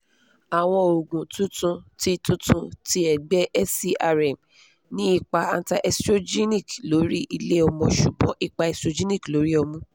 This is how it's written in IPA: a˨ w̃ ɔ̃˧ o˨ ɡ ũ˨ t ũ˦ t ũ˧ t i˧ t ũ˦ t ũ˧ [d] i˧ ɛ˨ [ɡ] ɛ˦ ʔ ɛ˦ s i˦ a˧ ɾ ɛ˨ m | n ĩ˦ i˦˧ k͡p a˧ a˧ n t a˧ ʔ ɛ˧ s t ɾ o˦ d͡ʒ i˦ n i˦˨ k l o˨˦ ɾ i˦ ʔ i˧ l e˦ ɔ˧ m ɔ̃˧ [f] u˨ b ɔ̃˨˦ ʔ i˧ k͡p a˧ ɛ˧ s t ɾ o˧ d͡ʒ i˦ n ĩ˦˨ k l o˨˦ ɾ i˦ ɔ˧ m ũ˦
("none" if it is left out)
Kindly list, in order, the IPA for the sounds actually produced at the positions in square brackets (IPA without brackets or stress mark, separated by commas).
t, ɡ͡b, ʃ